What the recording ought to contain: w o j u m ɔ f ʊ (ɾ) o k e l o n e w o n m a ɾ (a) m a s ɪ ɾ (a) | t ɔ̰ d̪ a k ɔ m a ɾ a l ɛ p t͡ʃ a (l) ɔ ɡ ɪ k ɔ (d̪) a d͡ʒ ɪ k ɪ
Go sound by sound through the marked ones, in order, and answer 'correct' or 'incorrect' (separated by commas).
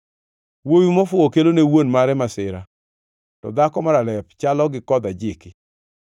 incorrect, incorrect, correct, correct, correct